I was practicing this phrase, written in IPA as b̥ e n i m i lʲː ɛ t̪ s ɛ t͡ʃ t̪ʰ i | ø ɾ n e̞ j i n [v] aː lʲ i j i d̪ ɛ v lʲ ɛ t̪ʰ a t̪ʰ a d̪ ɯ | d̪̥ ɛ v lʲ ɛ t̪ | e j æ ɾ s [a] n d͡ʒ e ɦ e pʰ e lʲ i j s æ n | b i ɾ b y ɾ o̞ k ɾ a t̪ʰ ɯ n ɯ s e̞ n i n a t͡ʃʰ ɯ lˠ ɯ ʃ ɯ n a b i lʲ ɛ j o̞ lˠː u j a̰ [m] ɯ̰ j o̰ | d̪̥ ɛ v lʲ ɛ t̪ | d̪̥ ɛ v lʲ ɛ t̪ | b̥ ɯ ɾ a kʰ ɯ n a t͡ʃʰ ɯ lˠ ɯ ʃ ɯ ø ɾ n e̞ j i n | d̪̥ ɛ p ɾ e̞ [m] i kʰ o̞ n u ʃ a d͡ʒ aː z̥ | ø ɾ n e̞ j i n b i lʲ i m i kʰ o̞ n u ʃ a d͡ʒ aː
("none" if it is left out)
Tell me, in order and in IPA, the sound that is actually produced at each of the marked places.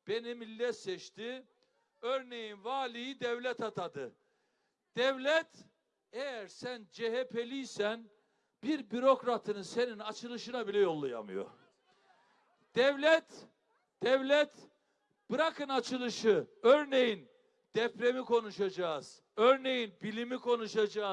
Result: v, æ, m, m

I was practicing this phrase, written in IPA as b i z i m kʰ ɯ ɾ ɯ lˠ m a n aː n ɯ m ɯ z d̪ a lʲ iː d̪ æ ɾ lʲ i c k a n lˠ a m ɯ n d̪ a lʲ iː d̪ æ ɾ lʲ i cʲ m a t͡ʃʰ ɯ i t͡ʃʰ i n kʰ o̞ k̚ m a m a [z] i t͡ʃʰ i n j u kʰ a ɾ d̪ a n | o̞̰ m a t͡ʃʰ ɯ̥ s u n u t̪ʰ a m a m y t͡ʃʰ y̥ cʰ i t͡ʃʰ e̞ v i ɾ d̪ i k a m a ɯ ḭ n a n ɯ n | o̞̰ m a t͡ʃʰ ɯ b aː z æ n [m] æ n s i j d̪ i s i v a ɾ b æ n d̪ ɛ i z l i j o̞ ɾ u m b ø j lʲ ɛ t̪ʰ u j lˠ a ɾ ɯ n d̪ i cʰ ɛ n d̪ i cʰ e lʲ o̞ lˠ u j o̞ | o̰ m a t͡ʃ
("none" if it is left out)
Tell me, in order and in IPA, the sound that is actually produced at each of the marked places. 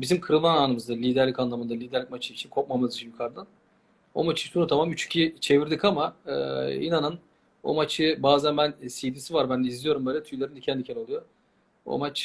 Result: z, b

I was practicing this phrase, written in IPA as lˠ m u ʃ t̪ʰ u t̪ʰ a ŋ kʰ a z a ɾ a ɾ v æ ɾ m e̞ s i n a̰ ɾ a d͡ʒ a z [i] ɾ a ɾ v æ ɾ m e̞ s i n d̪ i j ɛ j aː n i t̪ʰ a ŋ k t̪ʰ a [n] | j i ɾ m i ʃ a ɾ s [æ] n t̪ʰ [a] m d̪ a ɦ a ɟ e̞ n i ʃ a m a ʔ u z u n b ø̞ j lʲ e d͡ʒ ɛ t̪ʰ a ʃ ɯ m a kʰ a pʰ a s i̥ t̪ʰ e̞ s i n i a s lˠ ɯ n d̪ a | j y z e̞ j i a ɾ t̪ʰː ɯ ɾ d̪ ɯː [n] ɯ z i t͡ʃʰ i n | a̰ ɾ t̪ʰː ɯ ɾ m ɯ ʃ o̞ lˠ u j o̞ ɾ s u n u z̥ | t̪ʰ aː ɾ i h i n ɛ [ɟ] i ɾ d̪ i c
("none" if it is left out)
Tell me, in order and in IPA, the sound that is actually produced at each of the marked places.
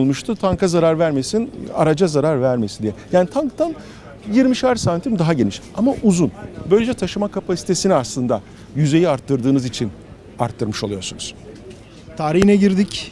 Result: a, n, a, i, n, ɟ

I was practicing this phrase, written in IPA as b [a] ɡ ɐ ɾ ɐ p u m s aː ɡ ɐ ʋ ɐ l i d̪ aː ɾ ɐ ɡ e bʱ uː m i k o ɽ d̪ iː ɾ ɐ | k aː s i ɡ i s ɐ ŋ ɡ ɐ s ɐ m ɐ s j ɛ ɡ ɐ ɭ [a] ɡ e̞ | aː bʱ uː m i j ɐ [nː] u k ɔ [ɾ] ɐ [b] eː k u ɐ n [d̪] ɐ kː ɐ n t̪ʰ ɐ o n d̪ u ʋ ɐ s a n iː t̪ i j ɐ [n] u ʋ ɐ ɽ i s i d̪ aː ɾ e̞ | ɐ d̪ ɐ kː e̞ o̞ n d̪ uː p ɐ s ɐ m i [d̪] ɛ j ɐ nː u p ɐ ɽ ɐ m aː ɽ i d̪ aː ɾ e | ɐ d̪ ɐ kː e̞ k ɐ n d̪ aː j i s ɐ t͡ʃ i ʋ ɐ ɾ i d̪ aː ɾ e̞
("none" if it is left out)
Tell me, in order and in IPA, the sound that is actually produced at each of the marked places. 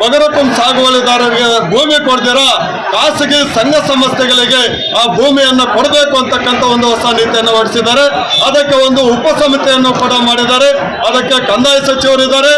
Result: ɐ, i, nː, ɽ, b, t̪, nː, t̪

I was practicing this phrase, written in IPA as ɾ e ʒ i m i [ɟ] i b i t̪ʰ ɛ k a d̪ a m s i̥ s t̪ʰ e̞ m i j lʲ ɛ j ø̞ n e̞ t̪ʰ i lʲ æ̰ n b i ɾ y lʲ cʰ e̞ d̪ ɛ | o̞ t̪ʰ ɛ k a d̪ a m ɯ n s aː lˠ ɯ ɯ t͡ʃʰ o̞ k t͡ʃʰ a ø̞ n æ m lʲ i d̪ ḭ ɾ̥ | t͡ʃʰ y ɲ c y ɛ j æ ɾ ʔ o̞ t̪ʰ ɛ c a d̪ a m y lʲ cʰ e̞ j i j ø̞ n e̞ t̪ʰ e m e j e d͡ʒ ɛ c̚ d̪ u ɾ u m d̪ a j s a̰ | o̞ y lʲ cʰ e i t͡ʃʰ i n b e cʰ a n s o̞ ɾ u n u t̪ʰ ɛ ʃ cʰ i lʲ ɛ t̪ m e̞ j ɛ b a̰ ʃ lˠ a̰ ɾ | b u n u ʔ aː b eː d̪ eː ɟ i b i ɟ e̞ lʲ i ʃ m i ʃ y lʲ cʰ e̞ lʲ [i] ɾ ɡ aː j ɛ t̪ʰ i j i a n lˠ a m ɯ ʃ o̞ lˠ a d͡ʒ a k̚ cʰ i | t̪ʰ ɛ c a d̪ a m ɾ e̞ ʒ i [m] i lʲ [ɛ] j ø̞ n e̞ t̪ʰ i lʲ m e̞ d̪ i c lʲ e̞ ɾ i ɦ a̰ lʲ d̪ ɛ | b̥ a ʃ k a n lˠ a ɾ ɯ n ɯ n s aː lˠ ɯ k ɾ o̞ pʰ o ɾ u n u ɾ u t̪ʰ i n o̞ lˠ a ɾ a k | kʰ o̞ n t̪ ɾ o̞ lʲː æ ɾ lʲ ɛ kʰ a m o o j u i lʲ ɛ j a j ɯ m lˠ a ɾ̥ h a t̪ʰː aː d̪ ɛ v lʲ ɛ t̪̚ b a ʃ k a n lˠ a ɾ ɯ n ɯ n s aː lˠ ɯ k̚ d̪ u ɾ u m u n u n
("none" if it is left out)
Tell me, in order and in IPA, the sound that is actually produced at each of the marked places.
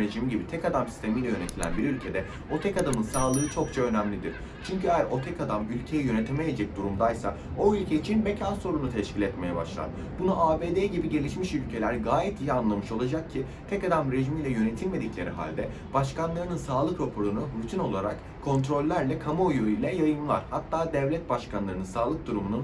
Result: ɟ, æ, m, ɛ

